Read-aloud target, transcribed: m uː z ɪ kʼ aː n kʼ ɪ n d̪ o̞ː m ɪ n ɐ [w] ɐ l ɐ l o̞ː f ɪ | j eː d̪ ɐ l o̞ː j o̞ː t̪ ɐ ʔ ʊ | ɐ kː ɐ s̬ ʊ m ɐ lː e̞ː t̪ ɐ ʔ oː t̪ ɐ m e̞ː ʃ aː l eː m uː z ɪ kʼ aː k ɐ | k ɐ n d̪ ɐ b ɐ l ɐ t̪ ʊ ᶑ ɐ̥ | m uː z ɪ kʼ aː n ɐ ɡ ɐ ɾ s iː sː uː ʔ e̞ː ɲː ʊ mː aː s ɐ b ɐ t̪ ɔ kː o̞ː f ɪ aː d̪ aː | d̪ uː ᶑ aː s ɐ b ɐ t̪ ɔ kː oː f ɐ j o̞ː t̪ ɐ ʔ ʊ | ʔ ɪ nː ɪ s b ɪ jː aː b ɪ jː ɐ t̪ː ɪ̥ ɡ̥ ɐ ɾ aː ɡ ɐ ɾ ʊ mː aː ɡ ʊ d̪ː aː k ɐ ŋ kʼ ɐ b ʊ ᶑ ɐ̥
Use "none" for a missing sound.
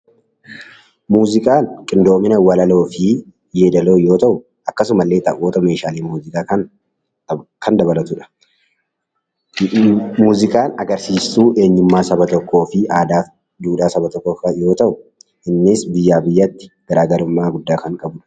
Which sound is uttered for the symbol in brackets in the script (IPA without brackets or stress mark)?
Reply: w